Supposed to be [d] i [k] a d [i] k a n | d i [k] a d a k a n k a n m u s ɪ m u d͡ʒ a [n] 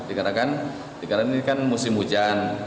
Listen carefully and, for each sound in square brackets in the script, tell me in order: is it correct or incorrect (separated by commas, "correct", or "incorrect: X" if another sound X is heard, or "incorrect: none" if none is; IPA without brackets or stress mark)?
correct, correct, incorrect: a, correct, correct